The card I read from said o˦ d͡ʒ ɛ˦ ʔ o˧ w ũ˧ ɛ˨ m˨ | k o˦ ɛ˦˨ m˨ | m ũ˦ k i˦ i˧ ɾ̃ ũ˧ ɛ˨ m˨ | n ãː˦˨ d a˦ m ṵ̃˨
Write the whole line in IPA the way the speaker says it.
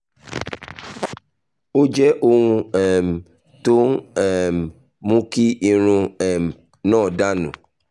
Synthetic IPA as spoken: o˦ d͡ʒ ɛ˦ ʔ o˧ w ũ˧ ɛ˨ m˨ | t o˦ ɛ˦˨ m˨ | m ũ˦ k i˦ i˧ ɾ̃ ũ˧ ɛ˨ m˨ | n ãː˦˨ d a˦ n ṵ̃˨